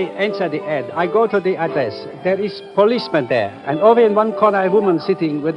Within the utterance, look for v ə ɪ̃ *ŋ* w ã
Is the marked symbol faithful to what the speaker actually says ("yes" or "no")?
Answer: no